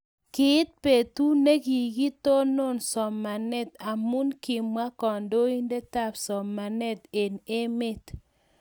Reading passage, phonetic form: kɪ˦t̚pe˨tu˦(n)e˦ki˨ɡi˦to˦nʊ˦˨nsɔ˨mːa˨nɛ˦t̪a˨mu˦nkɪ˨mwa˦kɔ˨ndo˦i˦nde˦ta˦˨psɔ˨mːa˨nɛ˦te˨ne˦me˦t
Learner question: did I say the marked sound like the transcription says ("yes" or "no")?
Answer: yes